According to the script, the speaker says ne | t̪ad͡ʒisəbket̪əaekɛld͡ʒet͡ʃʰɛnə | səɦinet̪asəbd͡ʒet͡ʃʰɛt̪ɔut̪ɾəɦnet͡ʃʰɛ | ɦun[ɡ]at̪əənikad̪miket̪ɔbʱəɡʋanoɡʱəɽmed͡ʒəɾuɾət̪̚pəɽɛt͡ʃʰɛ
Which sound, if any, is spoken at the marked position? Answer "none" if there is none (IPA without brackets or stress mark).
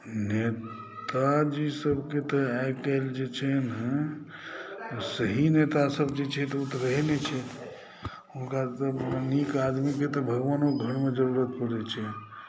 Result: k